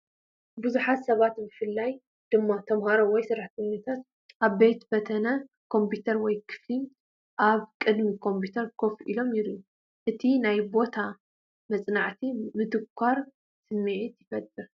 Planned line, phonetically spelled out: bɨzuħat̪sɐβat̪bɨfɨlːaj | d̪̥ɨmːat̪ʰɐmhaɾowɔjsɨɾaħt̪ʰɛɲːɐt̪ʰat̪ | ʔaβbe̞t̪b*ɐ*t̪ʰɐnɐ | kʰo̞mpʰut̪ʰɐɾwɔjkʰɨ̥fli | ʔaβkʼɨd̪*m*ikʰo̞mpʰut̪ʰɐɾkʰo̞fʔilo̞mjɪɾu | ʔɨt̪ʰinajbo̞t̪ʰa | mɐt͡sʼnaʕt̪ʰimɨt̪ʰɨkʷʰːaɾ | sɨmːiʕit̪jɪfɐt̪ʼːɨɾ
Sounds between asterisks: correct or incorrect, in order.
correct, correct

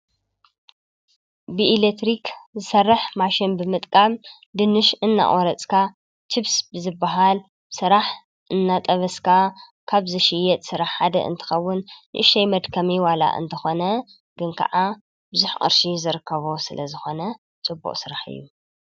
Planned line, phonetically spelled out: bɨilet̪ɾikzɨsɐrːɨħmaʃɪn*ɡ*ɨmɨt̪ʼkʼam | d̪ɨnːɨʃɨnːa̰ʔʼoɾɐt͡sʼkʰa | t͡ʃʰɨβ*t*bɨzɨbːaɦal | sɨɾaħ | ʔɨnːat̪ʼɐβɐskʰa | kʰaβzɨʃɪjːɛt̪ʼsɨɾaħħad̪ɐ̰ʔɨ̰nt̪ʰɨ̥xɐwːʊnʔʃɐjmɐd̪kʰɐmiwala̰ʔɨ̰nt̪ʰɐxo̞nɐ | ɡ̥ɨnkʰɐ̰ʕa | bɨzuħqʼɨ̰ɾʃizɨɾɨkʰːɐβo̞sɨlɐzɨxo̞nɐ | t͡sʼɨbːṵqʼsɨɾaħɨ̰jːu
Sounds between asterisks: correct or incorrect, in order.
incorrect: b, incorrect: s

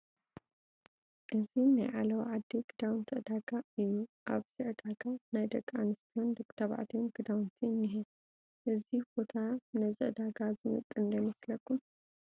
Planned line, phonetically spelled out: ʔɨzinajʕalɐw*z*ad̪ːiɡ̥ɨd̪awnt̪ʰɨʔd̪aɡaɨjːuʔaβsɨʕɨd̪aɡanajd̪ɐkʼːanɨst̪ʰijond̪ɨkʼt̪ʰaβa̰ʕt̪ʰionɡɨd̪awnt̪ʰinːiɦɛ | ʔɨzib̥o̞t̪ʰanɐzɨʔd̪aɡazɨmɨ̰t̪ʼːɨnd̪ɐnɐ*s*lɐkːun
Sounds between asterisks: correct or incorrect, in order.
incorrect: ʕ, correct

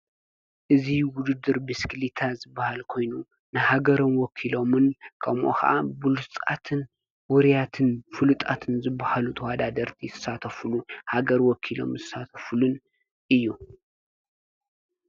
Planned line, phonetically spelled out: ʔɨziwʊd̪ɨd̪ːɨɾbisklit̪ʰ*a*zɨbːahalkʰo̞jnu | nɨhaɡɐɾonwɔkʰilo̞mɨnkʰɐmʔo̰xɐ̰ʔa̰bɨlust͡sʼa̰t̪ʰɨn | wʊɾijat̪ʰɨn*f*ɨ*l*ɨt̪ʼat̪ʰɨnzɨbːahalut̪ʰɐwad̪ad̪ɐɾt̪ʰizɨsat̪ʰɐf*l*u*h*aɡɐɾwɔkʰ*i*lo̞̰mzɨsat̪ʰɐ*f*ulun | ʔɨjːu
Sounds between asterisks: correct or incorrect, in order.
correct, correct, correct, correct, correct, correct, correct

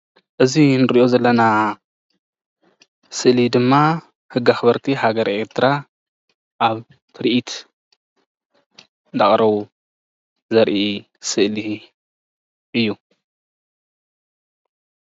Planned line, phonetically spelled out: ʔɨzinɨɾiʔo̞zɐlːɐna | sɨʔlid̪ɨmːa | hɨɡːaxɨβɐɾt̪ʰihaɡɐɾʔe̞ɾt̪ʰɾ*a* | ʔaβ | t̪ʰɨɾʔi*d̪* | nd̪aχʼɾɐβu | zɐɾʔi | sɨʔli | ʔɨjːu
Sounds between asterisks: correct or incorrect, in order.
correct, incorrect: t̪

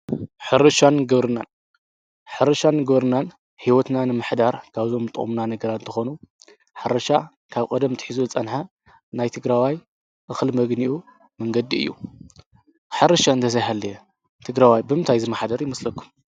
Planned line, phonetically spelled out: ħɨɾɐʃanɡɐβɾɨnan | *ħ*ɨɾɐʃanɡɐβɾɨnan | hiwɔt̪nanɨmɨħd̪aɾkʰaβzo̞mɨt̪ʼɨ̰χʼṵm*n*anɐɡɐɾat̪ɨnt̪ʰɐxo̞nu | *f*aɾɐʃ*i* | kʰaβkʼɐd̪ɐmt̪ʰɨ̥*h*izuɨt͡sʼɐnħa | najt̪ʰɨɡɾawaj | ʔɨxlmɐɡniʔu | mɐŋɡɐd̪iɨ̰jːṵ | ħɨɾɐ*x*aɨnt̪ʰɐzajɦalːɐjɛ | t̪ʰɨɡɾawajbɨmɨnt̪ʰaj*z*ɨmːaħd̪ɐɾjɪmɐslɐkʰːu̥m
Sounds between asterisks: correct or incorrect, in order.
correct, correct, incorrect: ħ, incorrect: a, incorrect: ħ, incorrect: ʃ, correct

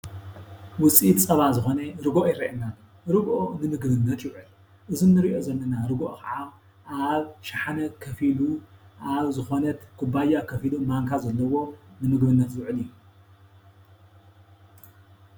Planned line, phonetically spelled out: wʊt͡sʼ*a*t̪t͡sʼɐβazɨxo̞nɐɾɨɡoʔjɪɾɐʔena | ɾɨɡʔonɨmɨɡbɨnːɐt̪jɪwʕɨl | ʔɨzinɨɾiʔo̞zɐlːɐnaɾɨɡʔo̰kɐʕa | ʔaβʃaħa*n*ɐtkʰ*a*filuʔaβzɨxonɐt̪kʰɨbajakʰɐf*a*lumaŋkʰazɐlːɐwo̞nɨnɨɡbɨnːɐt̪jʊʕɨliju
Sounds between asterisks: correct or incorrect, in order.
incorrect: i, correct, incorrect: ɐ, incorrect: i

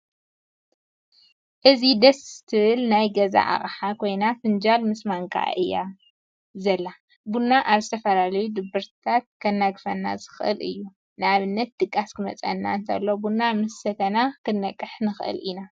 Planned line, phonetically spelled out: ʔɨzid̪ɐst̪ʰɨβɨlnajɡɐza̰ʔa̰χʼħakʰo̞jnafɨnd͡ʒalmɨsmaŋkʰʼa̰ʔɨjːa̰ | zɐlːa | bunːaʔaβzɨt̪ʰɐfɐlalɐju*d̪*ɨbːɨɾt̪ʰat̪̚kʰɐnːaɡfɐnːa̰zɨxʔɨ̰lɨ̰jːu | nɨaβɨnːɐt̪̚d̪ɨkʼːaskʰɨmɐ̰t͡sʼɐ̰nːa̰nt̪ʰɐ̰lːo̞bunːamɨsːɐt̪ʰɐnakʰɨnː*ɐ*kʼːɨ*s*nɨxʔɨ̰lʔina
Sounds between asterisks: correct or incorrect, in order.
correct, correct, incorrect: ħ

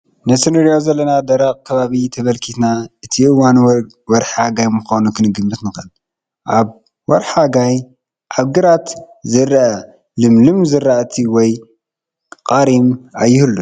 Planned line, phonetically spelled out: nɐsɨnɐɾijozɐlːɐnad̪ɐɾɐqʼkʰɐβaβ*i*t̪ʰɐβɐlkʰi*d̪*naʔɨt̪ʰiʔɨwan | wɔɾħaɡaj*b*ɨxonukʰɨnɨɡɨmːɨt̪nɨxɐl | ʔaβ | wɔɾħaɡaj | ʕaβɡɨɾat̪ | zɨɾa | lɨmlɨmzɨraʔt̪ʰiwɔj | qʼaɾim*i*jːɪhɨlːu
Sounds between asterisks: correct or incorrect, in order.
correct, incorrect: t̪, incorrect: m, incorrect: a

